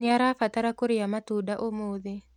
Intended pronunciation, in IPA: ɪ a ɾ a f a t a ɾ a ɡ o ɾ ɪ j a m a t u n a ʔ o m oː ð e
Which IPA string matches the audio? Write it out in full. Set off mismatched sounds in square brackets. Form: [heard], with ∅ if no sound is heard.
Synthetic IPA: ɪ a ɾ a f a t a ɾ a [k] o ɾ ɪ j a m a t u [d] a ʔ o m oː ð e